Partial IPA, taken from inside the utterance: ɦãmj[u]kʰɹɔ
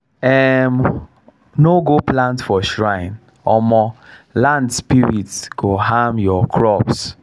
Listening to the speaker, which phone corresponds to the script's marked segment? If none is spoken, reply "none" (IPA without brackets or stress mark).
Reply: ɔ